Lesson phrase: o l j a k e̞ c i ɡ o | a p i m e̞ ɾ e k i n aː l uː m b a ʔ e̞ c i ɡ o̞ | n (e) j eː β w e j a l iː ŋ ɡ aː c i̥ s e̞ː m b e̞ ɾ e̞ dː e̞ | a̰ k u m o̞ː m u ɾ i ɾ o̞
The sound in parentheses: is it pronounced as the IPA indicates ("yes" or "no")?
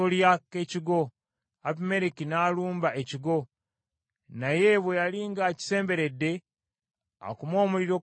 no